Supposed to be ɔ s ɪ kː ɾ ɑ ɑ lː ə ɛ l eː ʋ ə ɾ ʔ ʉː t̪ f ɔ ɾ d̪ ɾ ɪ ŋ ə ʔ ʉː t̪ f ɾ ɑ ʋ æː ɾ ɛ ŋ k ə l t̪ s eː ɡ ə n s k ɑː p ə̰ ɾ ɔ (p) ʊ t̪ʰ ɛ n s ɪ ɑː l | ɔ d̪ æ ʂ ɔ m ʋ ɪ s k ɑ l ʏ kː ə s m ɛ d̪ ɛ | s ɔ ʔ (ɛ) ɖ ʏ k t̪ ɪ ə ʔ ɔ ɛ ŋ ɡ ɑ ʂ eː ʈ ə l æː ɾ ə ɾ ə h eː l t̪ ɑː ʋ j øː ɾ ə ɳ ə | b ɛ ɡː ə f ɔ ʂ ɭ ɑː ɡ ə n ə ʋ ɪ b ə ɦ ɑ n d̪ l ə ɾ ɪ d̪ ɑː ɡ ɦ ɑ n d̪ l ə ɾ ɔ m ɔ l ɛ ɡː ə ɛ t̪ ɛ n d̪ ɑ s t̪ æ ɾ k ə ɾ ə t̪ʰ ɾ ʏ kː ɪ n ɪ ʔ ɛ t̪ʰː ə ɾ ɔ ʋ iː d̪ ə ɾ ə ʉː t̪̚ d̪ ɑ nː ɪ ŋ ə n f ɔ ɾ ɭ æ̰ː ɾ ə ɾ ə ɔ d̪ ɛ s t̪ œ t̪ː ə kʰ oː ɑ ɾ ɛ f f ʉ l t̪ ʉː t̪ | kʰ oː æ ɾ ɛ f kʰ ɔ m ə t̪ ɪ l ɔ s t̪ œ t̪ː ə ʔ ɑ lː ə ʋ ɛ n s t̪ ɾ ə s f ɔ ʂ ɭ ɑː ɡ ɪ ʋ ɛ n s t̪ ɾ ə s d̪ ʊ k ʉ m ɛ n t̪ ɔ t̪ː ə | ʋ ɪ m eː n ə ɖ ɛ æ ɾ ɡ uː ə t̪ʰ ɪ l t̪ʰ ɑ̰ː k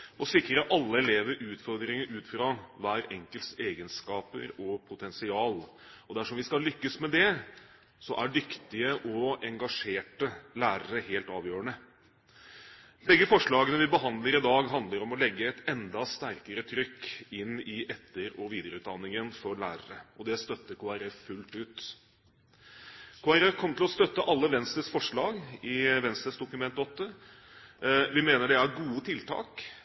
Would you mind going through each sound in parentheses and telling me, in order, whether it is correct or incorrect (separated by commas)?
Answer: incorrect, incorrect